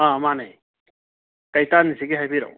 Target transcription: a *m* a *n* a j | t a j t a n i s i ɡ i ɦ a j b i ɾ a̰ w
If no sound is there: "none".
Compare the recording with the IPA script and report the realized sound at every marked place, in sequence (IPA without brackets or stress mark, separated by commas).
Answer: m, n